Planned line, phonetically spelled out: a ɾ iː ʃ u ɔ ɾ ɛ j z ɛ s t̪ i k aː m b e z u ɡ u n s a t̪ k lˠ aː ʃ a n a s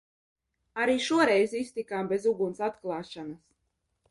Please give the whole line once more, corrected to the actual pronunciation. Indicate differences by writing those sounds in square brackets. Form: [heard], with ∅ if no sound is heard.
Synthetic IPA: a ɾ iː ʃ u ɔ ɾ ɛ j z [i] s t̪ i k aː m b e z u ɡ u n s a t̪ k lˠ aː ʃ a n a s